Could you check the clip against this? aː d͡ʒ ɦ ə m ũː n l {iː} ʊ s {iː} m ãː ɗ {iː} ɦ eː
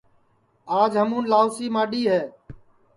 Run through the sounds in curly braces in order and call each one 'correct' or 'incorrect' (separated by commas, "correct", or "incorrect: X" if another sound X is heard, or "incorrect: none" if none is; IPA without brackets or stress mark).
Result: incorrect: aː, correct, correct